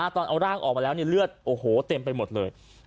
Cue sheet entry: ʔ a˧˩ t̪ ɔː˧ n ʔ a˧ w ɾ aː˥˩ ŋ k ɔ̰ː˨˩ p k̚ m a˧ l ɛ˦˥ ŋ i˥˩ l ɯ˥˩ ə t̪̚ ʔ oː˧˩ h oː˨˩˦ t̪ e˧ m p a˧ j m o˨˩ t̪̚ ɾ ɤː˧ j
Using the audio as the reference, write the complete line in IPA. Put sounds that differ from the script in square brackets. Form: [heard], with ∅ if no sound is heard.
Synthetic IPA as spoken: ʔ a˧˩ t̪ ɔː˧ n ʔ a˧ w ɾ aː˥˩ ŋ [ʔ] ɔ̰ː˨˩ [∅] k̚ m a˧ l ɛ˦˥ [n] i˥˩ l ɯ˥˩ ə t̪̚ ʔ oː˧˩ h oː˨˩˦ t̪ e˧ m p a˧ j m o˨˩ t̪̚ [l] ɤː˧ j